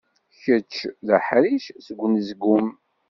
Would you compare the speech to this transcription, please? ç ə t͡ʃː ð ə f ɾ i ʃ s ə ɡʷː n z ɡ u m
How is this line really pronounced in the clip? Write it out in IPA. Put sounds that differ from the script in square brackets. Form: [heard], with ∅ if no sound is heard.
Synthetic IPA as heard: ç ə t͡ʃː ð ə [ħ] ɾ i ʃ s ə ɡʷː n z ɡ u m